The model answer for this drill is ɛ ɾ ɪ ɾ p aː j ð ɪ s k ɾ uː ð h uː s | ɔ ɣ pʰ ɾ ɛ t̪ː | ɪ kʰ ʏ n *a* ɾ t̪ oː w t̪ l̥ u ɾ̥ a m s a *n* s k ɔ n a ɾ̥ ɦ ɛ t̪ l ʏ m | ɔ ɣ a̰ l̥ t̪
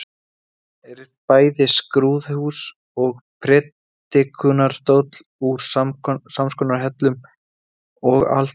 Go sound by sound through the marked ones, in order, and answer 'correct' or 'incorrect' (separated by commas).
correct, incorrect